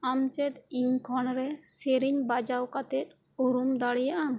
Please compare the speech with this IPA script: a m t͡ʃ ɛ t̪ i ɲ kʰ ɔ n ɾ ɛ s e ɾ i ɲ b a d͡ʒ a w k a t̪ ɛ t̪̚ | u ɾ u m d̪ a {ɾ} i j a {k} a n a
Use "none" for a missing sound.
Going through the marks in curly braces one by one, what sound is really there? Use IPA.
ɽ, ʔ

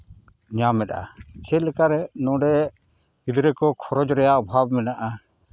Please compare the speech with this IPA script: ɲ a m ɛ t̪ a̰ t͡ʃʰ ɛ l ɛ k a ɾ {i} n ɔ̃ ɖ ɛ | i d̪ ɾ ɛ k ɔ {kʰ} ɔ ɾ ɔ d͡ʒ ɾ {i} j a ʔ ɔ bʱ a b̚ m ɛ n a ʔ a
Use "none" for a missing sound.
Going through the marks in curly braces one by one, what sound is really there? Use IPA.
ɛ, kʰ, ɛ

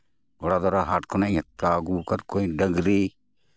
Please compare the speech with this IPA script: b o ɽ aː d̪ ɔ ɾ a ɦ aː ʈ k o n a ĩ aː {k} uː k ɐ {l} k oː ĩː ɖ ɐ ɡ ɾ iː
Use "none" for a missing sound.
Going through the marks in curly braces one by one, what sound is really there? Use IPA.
ɡ, ɾ

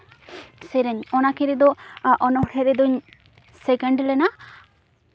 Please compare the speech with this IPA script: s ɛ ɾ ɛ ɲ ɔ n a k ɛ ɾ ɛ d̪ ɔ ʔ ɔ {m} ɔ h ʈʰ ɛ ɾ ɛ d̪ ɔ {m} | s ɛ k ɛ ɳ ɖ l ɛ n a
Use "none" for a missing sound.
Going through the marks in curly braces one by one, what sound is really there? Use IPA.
n, ɲ

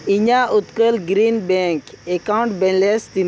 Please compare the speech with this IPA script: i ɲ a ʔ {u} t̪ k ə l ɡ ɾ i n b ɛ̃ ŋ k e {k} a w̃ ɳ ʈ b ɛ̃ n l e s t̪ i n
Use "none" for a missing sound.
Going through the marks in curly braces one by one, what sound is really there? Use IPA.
u, k

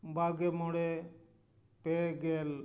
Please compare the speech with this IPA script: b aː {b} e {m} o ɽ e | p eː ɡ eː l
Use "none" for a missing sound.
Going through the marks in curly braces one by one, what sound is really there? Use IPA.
ɡ, m

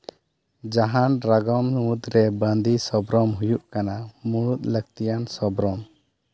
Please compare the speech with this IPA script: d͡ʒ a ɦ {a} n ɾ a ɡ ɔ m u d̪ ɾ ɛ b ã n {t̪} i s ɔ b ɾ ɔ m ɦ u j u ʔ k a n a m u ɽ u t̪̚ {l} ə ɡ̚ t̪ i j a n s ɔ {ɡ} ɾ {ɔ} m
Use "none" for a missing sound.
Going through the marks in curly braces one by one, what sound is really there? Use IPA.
a, d̪, l, b, ɔ

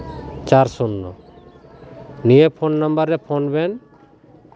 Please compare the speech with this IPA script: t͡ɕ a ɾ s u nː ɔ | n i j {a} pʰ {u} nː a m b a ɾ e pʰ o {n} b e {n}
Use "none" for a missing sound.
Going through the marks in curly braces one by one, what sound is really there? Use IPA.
e, o, n, n

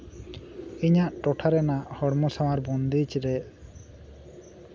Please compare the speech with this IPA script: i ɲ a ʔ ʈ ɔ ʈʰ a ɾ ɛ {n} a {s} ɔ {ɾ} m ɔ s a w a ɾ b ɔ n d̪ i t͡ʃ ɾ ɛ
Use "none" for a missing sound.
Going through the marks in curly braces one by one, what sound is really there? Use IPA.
n, h, ɽ

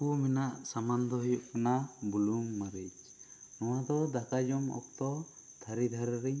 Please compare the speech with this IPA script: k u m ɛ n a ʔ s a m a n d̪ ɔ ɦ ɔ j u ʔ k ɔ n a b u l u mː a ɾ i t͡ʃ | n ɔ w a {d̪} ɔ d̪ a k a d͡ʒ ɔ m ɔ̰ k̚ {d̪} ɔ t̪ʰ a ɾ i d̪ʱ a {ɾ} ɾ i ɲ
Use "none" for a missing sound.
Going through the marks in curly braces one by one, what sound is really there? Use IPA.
d̪, t̪, ɾ

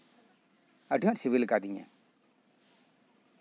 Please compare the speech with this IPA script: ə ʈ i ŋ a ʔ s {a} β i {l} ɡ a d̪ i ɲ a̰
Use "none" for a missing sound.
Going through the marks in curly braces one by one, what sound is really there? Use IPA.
i, l

